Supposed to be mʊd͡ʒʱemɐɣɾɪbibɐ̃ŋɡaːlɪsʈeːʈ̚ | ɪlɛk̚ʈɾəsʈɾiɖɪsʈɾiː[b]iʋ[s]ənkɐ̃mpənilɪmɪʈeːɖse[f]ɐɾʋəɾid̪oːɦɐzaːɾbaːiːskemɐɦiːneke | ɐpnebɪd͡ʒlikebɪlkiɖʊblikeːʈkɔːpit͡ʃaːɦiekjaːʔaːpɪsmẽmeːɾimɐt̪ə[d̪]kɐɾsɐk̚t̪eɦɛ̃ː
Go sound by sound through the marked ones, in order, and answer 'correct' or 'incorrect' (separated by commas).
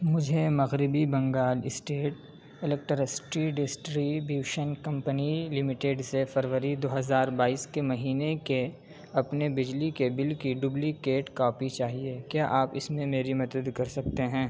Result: correct, incorrect, correct, correct